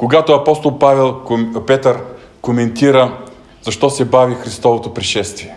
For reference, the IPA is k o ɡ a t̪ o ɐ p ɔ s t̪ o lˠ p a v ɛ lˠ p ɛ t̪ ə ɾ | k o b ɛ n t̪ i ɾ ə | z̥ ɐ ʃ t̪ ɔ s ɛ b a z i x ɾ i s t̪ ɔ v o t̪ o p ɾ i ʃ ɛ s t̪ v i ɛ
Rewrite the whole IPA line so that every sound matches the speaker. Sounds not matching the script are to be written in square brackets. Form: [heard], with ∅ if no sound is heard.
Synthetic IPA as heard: k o ɡ a t̪ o ɐ p ɔ s t̪ o lˠ p a v ɛ lˠ p ɛ t̪ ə ɾ | k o [m] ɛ n t̪ i ɾ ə | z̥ ɐ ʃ t̪ ɔ s ɛ b a [v] i x ɾ i s t̪ ɔ v o t̪ o p ɾ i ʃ ɛ s t̪ v i ɛ